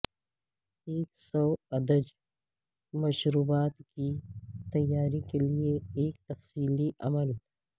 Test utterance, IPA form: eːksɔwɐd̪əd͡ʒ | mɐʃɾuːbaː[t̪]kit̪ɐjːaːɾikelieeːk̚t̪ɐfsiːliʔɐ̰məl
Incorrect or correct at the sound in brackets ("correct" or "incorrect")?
correct